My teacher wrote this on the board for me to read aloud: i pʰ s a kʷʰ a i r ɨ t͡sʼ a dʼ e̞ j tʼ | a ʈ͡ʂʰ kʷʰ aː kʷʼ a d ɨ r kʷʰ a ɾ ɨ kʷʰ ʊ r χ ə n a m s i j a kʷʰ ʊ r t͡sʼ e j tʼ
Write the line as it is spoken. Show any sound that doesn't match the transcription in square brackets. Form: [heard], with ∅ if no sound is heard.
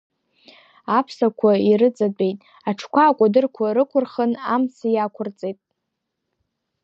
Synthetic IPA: [a] pʰ s a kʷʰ a i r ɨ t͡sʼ a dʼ e̞ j tʼ | a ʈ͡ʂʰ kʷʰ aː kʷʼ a d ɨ r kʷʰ a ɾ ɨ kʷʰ ʊ r χ ə n a m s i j a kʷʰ ʊ r t͡sʼ e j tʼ